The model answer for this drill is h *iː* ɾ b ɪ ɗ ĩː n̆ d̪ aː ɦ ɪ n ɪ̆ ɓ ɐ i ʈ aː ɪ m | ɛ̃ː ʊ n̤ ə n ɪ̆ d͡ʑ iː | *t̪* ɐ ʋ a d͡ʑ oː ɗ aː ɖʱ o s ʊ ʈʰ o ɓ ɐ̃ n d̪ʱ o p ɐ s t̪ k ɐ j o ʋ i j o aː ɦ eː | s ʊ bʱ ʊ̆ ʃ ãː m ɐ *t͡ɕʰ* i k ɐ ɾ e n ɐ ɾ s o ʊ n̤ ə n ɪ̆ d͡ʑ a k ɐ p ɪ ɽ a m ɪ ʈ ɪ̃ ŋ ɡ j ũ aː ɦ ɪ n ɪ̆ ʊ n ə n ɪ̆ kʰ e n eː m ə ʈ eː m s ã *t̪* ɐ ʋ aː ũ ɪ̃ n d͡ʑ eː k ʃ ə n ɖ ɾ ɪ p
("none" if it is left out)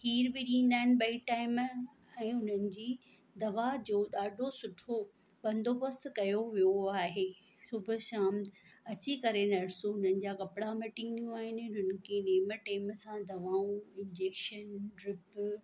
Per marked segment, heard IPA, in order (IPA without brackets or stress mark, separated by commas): iː, d̪, t͡ɕ, d̪